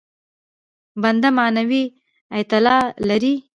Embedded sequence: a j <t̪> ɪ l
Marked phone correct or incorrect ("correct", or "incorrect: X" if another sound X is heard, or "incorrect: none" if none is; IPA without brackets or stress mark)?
correct